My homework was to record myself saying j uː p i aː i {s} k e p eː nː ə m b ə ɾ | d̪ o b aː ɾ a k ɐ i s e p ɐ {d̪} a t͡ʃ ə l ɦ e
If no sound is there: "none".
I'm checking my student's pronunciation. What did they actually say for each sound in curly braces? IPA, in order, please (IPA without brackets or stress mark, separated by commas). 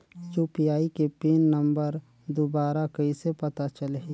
none, t̪